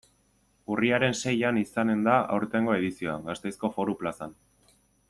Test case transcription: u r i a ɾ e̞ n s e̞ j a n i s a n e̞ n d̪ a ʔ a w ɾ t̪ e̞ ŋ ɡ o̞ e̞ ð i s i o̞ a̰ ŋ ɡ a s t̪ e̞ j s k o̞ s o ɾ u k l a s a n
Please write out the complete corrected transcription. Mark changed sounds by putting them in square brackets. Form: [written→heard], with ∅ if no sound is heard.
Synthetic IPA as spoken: u r i a ɾ e̞ n s e̞ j a n i s a n e̞ n d̪ a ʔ a w ɾ t̪ e̞ ŋ ɡ o̞ e̞ ð i s i o̞ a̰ ŋ ɡ a s t̪ e̞ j s k o̞ [s→f] o ɾ u [k→p] l a s a n